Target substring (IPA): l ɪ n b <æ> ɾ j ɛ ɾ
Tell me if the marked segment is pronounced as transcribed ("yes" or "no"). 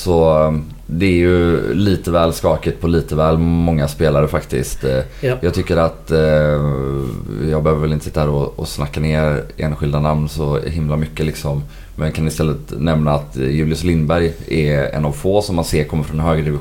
yes